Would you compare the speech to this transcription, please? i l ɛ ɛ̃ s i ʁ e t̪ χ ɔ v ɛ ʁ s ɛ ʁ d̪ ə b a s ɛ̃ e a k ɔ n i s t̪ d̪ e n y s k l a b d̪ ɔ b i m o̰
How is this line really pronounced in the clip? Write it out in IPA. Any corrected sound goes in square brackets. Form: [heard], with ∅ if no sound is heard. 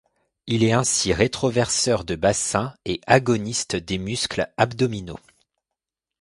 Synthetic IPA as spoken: i l ɛ ɛ̃ s i ʁ e t̪ χ ɔ v ɛ ʁ s [œ] ʁ d̪ ə b a s ɛ̃ e a [ɡ] ɔ n i s t̪ d̪ e [m] y s k l a b d̪ ɔ [m] i [n] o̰